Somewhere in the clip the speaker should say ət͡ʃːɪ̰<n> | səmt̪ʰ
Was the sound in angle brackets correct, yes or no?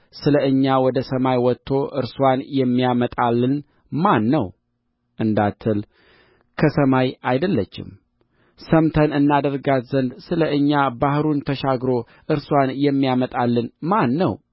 no